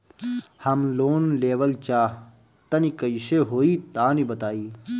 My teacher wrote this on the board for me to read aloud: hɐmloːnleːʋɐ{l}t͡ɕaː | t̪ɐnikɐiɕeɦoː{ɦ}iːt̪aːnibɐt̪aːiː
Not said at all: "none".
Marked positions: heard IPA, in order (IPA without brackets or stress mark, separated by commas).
l, none